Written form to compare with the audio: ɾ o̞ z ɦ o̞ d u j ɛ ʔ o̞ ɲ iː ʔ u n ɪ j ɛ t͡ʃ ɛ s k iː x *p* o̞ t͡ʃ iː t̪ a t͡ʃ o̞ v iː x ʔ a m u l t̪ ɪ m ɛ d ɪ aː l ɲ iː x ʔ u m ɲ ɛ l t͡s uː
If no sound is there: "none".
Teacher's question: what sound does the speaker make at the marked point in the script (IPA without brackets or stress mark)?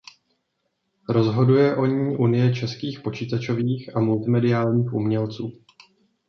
p